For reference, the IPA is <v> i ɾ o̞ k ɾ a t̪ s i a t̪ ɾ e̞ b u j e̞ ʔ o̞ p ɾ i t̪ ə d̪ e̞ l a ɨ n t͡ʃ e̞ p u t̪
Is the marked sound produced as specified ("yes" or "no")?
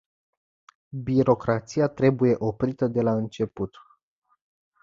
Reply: no